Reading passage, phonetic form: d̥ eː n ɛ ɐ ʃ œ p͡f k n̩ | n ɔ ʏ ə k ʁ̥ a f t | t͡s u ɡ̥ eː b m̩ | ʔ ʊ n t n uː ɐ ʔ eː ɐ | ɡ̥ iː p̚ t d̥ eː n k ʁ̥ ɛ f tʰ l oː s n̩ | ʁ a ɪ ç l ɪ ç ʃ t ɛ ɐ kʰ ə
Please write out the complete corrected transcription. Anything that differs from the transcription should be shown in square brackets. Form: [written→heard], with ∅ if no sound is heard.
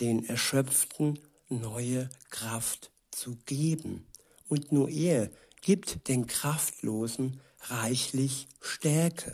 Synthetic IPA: d̥ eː n ɛ ɐ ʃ œ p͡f [k→t] n̩ | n ɔ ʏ ə k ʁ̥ a f t | t͡s u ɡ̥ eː b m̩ | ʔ ʊ n t n uː ɐ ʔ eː ɐ | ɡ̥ iː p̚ t d̥ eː n k ʁ̥ [ɛ→a] f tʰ l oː [s→z] n̩ | ʁ a ɪ ç l ɪ ç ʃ t ɛ ɐ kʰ ə